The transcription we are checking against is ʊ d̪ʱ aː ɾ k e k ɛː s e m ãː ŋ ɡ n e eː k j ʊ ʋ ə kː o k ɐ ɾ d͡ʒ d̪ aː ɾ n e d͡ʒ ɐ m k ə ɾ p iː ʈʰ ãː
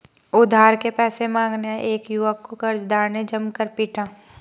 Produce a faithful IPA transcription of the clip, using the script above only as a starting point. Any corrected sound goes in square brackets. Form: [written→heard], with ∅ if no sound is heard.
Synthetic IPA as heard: ʊ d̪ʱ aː ɾ k e [k→p] ɛː s e m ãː ŋ ɡ n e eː k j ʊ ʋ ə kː o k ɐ ɾ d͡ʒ d̪ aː ɾ n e d͡ʒ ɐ m k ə ɾ p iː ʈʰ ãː

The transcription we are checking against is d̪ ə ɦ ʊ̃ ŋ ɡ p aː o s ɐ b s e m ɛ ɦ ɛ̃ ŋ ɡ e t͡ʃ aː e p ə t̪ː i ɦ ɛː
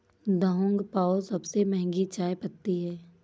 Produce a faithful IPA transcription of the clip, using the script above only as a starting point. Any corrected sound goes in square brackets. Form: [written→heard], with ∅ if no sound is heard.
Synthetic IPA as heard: d̪ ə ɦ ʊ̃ ŋ ɡ p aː o s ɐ b s e m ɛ ɦ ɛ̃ ŋ ɡ [e→i] t͡ʃ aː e p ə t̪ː i ɦ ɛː

